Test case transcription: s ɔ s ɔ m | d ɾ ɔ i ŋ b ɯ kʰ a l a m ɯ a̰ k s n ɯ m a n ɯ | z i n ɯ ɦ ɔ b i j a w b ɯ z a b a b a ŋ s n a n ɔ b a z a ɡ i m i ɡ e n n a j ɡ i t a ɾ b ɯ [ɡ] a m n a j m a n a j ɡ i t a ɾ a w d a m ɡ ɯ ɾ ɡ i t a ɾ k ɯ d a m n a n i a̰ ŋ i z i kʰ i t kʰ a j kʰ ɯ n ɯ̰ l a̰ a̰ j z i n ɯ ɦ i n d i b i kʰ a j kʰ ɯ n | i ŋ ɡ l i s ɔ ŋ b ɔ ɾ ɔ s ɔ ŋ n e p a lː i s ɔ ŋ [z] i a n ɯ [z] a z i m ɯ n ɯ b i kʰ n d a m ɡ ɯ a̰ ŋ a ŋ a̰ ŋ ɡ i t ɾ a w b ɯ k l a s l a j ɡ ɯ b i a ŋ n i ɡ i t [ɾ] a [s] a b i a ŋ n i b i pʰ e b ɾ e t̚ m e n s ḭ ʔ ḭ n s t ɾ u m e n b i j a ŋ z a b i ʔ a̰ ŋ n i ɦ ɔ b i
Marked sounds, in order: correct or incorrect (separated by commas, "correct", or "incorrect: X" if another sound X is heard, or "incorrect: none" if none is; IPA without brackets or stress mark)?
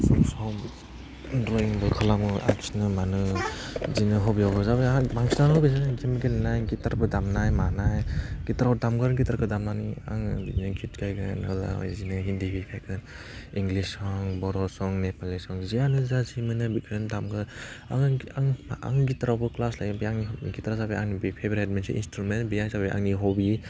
incorrect: d, correct, correct, correct, incorrect: z